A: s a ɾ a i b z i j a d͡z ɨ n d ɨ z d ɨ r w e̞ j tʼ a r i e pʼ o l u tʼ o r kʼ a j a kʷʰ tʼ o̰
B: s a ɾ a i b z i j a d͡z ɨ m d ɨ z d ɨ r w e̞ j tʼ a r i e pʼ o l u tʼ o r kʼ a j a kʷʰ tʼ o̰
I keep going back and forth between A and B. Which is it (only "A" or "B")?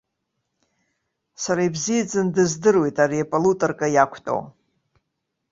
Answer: A